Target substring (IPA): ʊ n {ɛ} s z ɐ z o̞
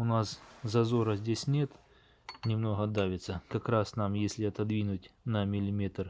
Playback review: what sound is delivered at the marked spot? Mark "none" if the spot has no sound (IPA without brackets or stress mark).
a